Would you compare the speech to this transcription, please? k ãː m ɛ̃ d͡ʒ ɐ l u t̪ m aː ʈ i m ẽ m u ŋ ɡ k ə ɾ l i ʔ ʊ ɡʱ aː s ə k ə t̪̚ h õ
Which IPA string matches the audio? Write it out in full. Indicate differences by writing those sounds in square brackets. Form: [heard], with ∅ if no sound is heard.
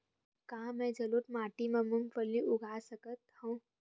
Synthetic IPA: k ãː m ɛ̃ d͡ʒ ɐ l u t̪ m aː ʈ i m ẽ m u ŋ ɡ [p] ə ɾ l i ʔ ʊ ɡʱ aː s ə k ə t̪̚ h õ

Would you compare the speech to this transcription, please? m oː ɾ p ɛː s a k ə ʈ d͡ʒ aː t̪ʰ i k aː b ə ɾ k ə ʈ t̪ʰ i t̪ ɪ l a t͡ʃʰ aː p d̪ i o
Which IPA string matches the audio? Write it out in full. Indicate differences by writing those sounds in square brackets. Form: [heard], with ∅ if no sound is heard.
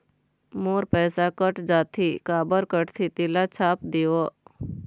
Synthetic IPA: m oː ɾ p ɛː s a k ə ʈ d͡ʒ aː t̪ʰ i k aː b ə ɾ k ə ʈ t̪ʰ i t̪ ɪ l a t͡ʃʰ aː p d̪ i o

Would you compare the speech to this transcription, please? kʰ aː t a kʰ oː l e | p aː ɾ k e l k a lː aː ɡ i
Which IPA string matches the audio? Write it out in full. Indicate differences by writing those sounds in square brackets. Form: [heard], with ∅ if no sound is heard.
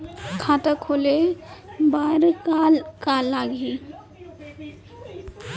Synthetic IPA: kʰ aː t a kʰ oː l e | [b] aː ɾ k [a] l k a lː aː ɡ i

